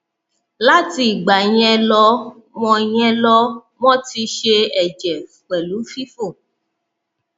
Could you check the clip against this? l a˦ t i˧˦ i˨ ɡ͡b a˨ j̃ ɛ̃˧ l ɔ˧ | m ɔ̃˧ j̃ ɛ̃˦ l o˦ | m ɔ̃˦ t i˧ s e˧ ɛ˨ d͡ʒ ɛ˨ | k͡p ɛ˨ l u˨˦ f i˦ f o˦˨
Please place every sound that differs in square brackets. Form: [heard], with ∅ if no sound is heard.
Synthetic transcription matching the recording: l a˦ t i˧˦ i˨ ɡ͡b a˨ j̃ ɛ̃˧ l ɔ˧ | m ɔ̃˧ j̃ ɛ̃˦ l [ɔ˦] | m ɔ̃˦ t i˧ [ʃ] e˧ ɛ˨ d͡ʒ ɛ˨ | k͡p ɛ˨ l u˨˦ f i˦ f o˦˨